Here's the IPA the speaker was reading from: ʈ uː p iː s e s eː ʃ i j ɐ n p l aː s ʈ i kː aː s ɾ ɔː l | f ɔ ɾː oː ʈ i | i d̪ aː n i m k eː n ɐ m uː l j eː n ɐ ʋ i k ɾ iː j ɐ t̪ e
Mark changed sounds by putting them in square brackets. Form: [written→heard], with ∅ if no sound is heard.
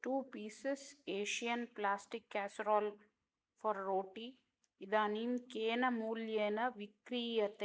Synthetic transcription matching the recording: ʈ uː p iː s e s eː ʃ i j ɐ n p l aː s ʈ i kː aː s ɾ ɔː l | f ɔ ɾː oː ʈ i | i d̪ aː n i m k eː n ɐ m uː l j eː n ɐ ʋ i k ɾ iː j ɐ t̪ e